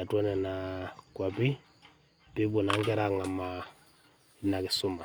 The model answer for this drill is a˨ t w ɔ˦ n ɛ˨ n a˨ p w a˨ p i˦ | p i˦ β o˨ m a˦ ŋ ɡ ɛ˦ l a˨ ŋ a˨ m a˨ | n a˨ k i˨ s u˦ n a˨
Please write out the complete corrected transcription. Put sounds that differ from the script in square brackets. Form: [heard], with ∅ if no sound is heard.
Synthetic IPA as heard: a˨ t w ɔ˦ n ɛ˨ n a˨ [k] w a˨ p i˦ | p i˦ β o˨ [n] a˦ ŋ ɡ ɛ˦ [ɾ] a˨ ŋ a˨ m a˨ | n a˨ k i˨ s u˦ [m] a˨